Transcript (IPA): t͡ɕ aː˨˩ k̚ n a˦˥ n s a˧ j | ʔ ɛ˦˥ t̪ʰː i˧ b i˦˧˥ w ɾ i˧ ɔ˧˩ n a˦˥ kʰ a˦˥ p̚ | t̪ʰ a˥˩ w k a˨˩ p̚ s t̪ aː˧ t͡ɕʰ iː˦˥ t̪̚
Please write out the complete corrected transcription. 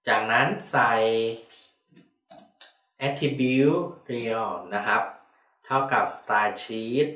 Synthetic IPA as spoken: t͡ɕ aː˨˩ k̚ n a˦˥ n s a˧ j | ʔ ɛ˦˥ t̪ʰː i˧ b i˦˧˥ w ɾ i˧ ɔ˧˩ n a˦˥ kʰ a˦˥ p̚ | t̪ʰ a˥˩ w k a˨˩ p̚ s t̪ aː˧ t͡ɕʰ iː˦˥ t̪̚